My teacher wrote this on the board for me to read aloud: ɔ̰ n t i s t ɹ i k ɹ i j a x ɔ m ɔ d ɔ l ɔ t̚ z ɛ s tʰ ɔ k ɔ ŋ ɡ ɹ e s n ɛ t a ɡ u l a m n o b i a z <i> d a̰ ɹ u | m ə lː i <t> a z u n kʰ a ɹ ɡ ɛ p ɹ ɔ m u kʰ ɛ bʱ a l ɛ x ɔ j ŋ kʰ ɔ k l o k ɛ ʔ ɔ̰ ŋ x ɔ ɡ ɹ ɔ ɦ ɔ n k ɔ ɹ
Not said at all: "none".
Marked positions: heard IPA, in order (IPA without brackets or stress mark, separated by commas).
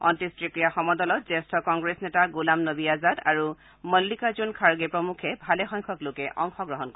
a, k